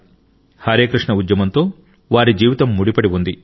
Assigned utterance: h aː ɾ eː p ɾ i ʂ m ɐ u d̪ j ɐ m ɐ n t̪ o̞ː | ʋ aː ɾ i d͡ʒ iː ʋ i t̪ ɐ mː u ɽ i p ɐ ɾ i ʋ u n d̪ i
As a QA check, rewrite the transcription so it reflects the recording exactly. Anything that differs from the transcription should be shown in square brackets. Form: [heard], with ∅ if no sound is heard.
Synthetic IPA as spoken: h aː ɾ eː [k] ɾ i ʂ [ɳ] ɐ u d̪ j ɐ m ɐ n t̪ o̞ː | ʋ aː ɾ i d͡ʒ iː ʋ i t̪ ɐ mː u ɽ i p ɐ [ɽ] i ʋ u n d̪ i